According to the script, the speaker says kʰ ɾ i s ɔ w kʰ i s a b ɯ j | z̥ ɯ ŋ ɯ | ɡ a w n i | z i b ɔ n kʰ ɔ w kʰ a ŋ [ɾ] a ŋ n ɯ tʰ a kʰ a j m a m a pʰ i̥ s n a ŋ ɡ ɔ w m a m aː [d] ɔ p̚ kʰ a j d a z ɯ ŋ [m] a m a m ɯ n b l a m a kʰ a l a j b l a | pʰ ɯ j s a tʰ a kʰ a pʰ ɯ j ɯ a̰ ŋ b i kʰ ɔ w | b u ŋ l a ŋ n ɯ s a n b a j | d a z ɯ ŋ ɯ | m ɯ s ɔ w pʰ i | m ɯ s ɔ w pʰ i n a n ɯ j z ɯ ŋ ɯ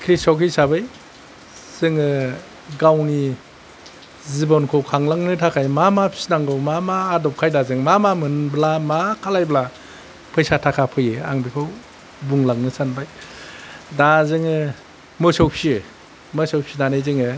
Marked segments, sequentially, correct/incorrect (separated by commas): incorrect, correct, correct